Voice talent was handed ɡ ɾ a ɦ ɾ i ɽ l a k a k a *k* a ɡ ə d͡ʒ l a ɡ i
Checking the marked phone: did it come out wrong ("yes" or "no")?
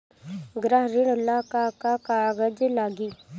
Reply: no